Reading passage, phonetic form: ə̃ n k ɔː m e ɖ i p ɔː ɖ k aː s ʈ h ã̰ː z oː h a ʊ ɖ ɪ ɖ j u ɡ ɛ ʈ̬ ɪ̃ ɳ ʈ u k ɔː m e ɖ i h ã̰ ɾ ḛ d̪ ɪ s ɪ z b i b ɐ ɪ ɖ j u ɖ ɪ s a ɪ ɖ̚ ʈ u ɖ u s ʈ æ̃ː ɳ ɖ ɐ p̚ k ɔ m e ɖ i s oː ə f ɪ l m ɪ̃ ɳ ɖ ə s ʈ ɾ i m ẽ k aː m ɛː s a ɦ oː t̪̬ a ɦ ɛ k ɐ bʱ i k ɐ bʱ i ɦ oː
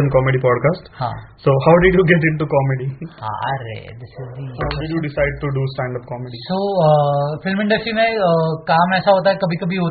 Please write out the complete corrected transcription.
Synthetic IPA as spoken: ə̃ n k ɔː m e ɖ i p ɔː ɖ k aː s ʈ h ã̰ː s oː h a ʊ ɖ ɪ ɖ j u ɡ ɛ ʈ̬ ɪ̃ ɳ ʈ u k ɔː m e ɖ i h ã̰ ɾ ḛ d̪ ɪ s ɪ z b i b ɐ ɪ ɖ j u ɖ ɪ s a ɪ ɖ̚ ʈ u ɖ u s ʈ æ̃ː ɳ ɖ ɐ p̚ k ɔ m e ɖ i s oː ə f ɪ l m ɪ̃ ɳ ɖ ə s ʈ ɾ i m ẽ k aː m ɛː s a ɦ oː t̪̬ a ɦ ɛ k ɐ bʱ i k ɐ bʱ i ɦ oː